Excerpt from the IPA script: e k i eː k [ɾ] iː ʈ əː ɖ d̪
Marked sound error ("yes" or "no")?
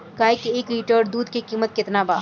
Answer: no